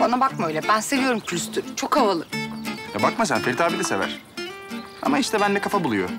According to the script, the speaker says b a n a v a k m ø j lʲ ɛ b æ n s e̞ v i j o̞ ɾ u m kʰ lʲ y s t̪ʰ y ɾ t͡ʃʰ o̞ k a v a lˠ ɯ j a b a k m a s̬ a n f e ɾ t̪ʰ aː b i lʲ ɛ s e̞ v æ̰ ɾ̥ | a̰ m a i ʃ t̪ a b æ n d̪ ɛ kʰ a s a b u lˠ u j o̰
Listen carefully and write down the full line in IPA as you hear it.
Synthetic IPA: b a n a b a k m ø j lʲ ɛ b æ n s e̞ v i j o̞ ɾ u m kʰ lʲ y s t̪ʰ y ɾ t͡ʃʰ o̞ k a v a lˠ ɯ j a b a k m a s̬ a n f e ɾ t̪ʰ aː b i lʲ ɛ s e̞ v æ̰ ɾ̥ | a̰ m a i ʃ t̪ ɛ b æ n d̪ ɛ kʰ a f a b u lˠ u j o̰